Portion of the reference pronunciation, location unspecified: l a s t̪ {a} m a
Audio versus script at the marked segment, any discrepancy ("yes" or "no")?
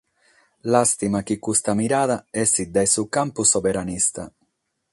yes